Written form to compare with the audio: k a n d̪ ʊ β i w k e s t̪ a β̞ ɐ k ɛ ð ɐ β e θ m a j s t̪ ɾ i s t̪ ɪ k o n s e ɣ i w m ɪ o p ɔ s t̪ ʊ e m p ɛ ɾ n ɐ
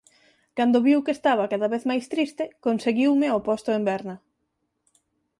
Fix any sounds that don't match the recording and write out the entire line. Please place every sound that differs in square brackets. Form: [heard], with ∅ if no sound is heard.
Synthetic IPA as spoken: k a n d̪ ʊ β i w k e s t̪ a β̞ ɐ k [a] ð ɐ β e θ m a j s t̪ ɾ i s t̪ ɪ k o n s e ɣ i w m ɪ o p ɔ s t̪ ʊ e m [b] ɛ ɾ n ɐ